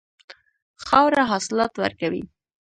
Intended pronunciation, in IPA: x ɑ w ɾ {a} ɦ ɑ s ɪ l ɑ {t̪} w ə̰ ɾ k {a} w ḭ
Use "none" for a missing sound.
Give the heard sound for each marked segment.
a, t̪, a

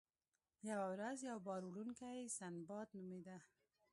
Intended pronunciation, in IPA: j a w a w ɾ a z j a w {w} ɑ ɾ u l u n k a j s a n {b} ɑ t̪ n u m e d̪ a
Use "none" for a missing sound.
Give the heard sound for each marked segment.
b, b

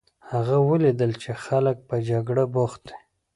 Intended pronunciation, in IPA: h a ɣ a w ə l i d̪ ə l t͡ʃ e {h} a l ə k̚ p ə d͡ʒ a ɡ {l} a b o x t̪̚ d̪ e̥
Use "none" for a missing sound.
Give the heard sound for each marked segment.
x, ɽ

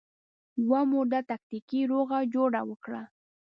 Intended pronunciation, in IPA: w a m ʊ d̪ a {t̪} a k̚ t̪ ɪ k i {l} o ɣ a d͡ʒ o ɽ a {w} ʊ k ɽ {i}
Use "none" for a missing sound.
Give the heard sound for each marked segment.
t̪, ɾ, w, a

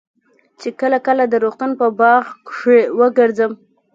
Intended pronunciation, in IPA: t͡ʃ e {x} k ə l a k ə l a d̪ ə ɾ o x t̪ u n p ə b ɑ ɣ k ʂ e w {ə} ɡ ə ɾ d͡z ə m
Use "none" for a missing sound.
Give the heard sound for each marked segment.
none, ə

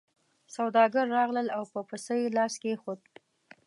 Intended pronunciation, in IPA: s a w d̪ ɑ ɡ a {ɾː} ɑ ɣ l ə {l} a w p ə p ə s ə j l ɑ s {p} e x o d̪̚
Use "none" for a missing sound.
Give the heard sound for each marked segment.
ɾː, l, k

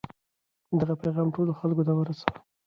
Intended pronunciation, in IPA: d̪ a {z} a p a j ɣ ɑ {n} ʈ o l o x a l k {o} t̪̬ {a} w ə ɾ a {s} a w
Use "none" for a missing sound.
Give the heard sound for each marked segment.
ɣ, m, o, a, s

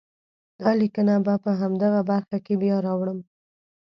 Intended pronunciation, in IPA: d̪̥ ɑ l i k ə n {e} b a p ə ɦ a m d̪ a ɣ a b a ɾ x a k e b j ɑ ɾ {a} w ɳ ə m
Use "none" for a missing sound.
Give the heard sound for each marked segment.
a, ɑ

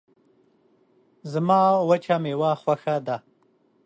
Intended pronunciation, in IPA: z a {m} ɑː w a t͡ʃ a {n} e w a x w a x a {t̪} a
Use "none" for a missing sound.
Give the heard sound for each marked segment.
m, m, d̪

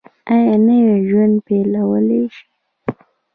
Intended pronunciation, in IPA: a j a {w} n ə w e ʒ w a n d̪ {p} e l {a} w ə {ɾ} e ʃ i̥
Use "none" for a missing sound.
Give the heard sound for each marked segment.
none, p, a, l

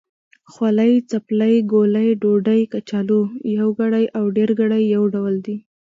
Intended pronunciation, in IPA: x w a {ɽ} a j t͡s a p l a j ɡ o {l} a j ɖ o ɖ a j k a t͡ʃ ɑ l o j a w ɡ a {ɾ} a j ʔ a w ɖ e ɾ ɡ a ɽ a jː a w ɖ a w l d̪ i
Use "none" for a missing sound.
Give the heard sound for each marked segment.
l, l, ɽ

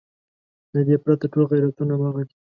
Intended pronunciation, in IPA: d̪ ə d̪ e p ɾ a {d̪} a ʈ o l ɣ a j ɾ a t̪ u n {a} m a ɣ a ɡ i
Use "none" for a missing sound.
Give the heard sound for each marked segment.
t̪, a

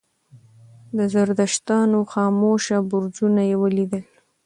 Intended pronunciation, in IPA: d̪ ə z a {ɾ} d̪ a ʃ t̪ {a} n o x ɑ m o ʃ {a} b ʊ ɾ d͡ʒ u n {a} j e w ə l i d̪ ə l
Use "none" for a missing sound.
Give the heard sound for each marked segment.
ɾ, ɑ, a, a

